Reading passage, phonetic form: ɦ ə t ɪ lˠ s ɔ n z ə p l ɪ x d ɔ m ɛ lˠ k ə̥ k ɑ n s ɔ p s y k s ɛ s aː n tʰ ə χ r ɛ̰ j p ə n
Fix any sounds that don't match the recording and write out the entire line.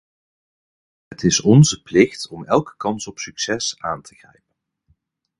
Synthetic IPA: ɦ ə t ɪ s ɔ n z ə p l ɪ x t ɔ m ɛ lˠ k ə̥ k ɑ n s ɔ p s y k s ɛ s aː n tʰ ə χ r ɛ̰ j p ə n